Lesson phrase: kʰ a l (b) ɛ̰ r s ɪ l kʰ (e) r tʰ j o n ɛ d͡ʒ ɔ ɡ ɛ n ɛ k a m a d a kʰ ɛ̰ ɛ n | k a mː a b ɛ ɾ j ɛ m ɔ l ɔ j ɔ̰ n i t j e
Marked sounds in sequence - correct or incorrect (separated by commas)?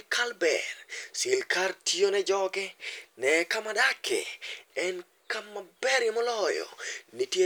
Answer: correct, incorrect